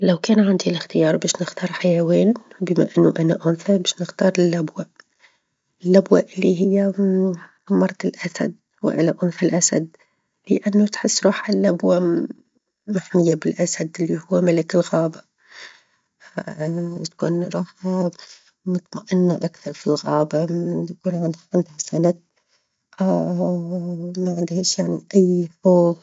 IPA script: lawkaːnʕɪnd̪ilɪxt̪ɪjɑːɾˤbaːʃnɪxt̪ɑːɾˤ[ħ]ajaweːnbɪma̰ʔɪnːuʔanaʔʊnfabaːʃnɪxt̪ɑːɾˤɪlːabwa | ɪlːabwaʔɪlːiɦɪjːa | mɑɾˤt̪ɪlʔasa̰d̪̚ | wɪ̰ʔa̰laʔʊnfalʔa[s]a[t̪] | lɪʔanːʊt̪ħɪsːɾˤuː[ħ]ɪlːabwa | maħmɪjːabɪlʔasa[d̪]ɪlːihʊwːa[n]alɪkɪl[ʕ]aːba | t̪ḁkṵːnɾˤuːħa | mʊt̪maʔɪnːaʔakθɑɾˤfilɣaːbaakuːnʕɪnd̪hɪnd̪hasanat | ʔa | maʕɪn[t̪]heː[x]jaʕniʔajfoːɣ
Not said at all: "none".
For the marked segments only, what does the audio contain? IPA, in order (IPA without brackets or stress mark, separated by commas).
ħ, s, d̪, ħ, d̪, m, ɣ, d̪, ʃ